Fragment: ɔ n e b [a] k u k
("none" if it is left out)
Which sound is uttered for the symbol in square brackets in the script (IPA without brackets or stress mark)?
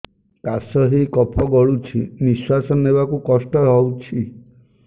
a